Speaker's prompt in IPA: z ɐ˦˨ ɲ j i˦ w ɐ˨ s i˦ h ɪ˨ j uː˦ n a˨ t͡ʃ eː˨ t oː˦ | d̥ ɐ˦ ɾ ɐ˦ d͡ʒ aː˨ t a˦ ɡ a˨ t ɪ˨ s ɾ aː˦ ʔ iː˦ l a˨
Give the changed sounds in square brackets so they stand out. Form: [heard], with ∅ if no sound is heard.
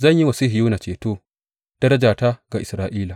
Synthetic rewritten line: z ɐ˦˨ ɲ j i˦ w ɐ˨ s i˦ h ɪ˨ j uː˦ n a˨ t͡ʃ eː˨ t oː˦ | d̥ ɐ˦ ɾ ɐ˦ d͡ʒ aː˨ t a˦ ɡ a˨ [ʔ] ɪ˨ s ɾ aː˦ ʔ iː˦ l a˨